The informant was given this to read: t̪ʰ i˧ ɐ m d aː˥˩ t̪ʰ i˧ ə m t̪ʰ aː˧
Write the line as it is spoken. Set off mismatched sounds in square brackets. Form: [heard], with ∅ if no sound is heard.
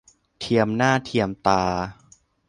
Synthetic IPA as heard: t̪ʰ i˧ [ə] m [n] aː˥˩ t̪ʰ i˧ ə m [t̪] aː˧